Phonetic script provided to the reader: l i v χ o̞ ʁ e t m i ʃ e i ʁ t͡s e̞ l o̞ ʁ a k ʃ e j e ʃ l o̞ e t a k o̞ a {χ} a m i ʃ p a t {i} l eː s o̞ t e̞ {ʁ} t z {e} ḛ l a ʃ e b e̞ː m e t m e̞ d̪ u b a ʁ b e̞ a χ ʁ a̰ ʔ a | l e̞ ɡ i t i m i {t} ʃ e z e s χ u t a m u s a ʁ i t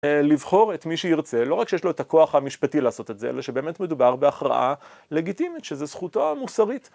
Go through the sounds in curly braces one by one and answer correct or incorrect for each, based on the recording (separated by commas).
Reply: correct, correct, incorrect, correct, correct